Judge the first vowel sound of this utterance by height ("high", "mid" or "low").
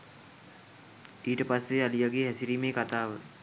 high